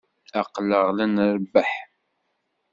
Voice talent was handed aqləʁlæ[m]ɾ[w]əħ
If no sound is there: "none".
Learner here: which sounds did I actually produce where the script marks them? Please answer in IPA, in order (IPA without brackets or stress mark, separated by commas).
n, b